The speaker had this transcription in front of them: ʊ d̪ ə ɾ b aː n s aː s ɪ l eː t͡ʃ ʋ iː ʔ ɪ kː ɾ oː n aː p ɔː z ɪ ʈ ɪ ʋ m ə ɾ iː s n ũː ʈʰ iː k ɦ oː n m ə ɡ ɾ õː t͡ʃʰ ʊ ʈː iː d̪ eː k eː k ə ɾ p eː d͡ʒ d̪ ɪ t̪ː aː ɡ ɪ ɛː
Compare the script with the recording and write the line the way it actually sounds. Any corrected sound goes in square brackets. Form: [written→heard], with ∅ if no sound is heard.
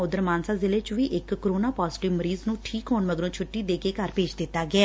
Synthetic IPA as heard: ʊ d̪ ə ɾ [b→m] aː n s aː [s→z] ɪ l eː t͡ʃ ʋ iː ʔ ɪ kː ɾ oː n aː p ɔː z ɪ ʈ ɪ ʋ m ə ɾ iː [s→z] n ũː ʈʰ iː k ɦ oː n m ə ɡ ɾ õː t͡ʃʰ ʊ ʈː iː d̪ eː k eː k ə ɾ p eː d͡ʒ d̪ ɪ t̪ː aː ɡ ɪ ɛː